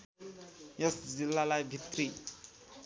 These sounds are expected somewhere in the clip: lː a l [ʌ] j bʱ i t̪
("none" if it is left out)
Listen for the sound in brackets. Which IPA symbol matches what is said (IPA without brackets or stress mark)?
a